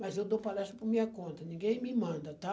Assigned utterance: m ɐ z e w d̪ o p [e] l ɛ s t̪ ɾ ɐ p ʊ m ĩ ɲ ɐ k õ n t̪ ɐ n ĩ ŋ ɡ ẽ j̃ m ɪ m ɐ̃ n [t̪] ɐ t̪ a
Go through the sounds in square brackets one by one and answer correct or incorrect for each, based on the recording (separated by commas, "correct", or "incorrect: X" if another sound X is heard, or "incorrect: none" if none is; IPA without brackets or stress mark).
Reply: incorrect: a, incorrect: d̪